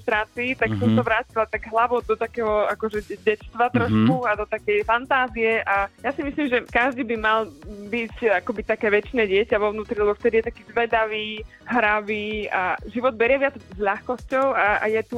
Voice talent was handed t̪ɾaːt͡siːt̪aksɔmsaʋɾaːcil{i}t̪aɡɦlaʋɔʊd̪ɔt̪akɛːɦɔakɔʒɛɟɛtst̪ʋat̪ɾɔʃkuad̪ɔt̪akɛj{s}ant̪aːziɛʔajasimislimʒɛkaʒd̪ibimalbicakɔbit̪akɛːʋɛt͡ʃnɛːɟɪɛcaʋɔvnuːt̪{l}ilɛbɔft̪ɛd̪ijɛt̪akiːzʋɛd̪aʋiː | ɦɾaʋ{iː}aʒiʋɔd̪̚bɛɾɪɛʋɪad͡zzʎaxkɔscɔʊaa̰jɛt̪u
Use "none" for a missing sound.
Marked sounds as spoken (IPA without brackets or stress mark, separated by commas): a, f, ɾ, iː